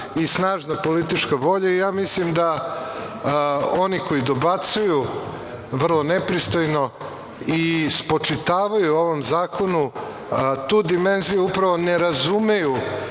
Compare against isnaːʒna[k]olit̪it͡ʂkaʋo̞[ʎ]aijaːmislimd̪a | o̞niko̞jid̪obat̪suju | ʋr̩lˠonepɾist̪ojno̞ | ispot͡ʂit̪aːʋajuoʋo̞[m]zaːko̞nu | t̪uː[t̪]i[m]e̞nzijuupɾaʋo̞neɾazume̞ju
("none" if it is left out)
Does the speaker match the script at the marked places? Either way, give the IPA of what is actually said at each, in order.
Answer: p, ʎ, m, d̪, m

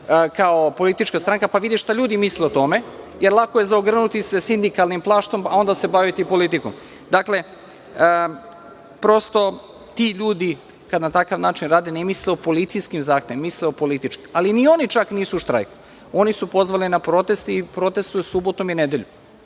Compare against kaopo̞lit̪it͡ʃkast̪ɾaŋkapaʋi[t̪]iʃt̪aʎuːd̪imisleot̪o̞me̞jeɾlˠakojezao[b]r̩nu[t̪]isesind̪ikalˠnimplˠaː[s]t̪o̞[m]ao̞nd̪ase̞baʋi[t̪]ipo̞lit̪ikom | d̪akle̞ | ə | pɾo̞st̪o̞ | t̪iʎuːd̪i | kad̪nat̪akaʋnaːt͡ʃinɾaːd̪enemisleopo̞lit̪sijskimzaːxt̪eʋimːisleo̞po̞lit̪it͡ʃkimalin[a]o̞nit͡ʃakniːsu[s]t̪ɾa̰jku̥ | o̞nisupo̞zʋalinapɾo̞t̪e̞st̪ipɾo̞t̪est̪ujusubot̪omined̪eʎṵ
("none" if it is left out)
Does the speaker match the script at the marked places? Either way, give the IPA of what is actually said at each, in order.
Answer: d̪, ɡ, t̪, ʃ, m, t̪, i, ʃ

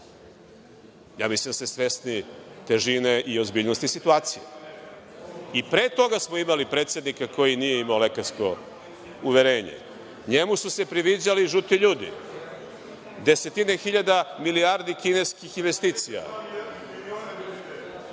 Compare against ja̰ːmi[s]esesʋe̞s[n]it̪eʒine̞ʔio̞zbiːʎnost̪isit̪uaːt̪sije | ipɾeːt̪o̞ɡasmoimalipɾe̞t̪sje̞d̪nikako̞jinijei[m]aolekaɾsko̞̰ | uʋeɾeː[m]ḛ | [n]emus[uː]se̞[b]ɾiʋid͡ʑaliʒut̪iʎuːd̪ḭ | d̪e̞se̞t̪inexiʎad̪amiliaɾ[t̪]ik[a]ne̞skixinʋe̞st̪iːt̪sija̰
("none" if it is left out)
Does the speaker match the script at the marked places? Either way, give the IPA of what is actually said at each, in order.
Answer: s, n, m, ɲ, ɲ, u, p, d̪, i

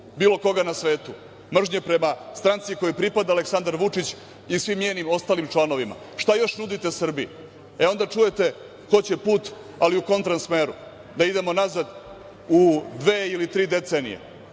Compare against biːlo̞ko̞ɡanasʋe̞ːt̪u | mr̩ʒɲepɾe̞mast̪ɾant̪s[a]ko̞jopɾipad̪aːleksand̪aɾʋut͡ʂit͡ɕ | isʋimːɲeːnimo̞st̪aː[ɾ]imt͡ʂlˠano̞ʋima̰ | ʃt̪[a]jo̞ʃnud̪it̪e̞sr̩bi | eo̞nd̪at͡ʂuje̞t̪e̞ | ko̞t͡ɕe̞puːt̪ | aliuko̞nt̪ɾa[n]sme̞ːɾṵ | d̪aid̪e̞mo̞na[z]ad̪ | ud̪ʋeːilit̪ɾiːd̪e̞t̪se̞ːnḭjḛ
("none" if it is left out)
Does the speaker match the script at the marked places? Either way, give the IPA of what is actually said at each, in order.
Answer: i, l, a, n, z

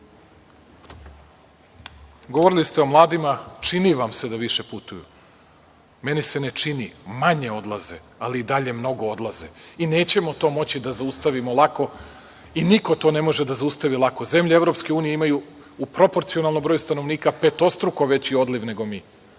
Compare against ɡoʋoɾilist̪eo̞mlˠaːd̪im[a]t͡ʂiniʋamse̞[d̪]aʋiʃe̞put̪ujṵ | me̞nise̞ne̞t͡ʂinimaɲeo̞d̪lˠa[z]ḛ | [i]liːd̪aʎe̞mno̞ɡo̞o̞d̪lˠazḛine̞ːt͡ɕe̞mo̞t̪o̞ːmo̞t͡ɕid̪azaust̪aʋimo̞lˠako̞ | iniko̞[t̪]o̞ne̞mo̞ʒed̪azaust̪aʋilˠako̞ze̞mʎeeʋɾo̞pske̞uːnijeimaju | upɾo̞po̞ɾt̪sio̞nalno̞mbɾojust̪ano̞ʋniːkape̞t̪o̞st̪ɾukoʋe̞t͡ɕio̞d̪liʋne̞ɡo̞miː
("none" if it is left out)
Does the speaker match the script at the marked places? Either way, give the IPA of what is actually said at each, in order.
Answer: a, d̪, z, a, t̪

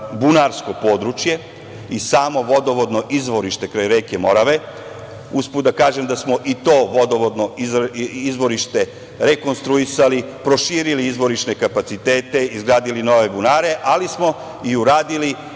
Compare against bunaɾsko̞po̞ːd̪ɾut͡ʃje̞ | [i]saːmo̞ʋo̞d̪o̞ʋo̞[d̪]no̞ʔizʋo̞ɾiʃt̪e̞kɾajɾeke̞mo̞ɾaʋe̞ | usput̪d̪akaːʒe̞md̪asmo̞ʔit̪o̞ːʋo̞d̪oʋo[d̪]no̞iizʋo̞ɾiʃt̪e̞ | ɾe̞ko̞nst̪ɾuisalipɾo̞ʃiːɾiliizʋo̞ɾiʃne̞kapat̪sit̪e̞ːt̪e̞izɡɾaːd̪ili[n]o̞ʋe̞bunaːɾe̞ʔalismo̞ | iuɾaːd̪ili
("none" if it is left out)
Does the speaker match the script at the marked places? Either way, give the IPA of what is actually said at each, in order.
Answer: i, d̪, d̪, n

